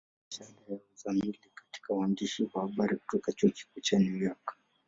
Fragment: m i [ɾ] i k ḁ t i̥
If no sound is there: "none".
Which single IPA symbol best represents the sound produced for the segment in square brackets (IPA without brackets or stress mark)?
l